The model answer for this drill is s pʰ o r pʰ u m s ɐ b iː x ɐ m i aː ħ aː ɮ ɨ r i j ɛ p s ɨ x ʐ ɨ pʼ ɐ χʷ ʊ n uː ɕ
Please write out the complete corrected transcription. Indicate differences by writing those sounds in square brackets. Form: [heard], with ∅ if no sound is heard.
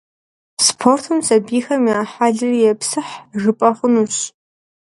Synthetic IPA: s pʰ o r [tʰ] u m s ɐ b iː x ɐ m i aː ħ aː ɮ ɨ r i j ɛ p s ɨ [ħ] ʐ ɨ pʼ ɐ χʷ ʊ n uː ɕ